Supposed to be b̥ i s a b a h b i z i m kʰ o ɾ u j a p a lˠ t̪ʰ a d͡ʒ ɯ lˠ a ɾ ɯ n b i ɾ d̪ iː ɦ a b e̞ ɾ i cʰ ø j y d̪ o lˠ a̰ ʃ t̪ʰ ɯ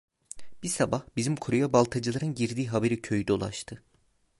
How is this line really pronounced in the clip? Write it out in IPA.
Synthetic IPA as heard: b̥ i s a b a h b i z i m kʰ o ɾ u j a b a lˠ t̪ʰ a d͡ʒ ɯ lˠ a ɾ ɯ n ɟ i ɾ d̪ iː ɦ a b e̞ ɾ i cʰ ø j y d̪ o lˠ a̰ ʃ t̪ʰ ɯ